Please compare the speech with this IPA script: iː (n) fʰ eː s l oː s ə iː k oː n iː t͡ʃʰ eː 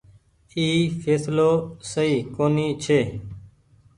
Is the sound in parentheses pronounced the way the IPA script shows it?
no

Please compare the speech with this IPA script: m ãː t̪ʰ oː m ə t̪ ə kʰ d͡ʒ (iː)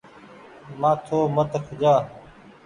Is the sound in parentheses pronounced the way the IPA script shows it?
no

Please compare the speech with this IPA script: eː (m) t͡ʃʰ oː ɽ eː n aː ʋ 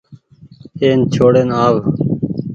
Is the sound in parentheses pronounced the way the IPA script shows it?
no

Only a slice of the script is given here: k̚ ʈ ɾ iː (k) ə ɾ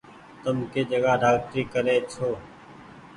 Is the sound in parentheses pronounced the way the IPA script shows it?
yes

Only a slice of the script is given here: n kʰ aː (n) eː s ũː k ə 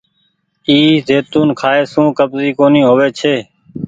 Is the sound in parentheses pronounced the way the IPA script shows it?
no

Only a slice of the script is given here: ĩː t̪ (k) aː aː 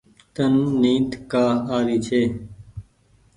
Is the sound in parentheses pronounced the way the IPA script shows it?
yes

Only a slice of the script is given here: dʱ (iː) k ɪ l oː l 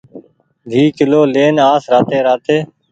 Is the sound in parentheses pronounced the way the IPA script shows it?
yes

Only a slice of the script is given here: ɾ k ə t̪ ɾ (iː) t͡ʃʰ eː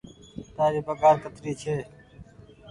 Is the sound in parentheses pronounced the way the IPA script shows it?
yes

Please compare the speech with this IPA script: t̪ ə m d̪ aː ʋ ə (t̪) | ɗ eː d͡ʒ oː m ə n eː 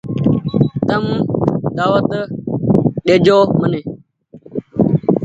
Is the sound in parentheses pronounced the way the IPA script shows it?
yes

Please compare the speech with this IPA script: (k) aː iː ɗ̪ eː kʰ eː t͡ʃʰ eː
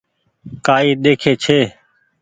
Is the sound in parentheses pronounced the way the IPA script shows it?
yes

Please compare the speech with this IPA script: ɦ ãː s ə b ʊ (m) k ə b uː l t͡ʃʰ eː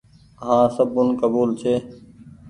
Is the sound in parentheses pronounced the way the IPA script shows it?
no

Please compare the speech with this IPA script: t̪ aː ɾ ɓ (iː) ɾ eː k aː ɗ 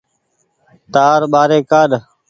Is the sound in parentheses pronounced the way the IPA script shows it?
no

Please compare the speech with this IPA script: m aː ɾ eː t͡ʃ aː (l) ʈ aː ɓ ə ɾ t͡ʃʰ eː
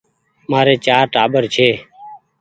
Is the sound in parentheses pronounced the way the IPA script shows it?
no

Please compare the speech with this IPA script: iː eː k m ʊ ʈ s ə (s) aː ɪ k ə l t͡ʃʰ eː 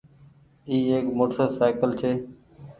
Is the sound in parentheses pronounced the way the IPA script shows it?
yes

